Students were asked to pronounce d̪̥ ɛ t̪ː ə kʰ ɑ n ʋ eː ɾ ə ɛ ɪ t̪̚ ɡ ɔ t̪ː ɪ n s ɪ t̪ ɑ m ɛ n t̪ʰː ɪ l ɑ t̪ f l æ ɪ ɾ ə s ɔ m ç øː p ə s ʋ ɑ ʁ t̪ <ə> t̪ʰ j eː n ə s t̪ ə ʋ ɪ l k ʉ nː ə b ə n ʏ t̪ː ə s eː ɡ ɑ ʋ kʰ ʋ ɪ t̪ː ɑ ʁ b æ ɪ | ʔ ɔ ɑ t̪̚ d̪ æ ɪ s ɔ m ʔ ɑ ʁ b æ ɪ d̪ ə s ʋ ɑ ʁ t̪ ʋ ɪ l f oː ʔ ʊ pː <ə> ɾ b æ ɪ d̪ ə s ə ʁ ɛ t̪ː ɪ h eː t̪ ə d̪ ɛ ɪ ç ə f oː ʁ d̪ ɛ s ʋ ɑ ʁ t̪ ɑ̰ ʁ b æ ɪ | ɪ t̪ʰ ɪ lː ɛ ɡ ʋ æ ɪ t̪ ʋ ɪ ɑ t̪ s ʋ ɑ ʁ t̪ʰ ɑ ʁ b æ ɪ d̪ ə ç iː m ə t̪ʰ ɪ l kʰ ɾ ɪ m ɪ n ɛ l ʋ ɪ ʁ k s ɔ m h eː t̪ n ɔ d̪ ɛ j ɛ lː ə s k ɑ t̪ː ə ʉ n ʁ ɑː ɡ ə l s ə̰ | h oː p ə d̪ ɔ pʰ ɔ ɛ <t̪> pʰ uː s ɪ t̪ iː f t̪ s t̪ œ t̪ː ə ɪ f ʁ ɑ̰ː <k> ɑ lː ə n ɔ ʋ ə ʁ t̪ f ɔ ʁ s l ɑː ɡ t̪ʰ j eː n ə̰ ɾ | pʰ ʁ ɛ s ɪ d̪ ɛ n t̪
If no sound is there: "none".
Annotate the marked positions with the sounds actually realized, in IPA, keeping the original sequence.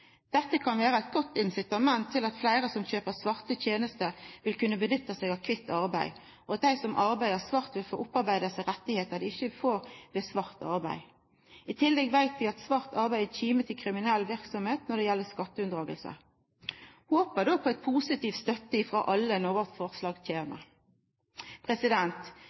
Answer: ə, ɑ, t̪, ʔ

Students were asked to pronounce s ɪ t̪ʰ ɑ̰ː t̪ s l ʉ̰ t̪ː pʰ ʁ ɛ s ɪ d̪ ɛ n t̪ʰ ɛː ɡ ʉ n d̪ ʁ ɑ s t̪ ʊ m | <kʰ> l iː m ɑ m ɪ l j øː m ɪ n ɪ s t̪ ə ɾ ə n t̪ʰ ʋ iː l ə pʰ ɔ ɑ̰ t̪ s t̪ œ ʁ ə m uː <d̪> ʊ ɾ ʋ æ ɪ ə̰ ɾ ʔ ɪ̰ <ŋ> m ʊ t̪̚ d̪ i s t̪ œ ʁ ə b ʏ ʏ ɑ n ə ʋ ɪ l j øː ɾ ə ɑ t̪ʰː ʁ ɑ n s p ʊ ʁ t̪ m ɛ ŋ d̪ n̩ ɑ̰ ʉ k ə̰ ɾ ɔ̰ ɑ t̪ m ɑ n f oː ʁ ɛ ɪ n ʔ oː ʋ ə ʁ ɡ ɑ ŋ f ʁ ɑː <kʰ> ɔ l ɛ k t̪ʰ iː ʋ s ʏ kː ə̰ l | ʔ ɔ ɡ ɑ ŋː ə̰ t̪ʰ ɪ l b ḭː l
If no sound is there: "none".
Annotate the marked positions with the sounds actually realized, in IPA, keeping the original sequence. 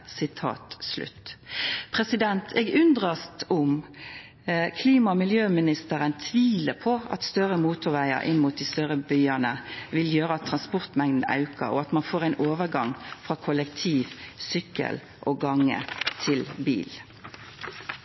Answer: kʰ, t̪, n, kʰ

